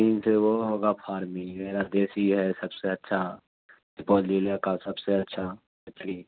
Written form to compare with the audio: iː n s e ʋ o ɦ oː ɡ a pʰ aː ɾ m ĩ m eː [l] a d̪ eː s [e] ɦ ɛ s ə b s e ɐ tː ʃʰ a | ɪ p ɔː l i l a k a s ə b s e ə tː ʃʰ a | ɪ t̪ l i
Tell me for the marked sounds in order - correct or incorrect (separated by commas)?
incorrect, incorrect